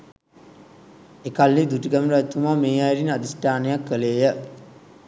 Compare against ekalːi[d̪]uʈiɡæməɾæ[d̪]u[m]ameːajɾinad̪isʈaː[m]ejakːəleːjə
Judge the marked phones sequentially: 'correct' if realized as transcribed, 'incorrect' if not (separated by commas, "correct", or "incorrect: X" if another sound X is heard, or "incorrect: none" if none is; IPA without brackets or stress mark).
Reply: correct, incorrect: t̪, correct, incorrect: n